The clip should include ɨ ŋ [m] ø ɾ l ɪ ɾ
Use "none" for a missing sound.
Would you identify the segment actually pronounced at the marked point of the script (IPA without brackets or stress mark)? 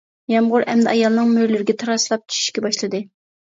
m